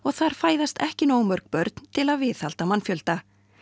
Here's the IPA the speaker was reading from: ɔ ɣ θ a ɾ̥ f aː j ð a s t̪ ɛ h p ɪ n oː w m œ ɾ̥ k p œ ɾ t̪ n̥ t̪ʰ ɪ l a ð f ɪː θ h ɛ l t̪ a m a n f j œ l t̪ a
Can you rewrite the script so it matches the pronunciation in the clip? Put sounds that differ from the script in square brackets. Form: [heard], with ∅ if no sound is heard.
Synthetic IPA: ɔ ɣ θ a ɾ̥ f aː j ð a s t̪ ɛ h [c] ɪ n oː w m œ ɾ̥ k p œ ɾ t̪ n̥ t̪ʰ ɪ l a ð [v] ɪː θ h [a] l t̪ a m a n f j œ l t̪ a